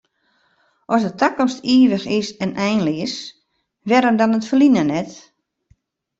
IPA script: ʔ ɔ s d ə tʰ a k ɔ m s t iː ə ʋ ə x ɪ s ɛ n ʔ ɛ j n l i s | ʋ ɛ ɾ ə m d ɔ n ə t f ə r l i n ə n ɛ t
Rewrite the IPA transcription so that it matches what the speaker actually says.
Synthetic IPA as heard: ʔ ɔ s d ə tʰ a k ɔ m s t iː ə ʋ ə x ɪ s ɛ n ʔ ɛ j n l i s | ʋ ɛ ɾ ə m d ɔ n ə t f ə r l i n ə n ɛ t